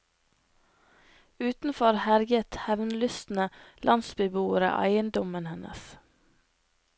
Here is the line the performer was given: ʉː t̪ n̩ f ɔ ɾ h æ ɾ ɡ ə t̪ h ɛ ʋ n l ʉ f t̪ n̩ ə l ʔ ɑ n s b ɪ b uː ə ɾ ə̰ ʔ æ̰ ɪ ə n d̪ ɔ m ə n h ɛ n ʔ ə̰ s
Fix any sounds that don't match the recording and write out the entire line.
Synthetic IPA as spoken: ʉː t̪ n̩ f ɔ ɾ h æ ɾ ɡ ə t̪ h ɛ ʋ n l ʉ s t̪ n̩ ə l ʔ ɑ n s b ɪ b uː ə ɾ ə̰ ʔ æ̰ ɪ ə n d̪ ɔ m ə n h ɛ n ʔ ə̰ s